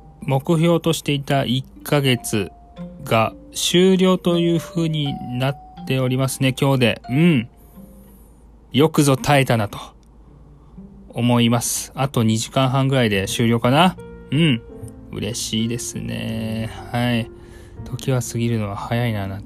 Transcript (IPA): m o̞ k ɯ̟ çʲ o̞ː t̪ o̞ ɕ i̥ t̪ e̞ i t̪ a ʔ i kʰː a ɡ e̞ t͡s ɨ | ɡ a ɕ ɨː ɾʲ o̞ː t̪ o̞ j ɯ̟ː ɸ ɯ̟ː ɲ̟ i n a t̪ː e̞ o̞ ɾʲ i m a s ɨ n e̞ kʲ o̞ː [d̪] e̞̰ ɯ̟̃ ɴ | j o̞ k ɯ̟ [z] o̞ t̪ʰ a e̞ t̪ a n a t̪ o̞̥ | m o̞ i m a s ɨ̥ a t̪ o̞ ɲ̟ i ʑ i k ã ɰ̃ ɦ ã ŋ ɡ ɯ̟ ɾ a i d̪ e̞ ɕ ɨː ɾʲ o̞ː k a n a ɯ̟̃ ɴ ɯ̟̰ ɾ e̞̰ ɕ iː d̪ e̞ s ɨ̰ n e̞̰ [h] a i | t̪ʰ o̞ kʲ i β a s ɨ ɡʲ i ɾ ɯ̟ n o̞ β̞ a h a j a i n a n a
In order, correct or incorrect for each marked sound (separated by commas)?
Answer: correct, correct, correct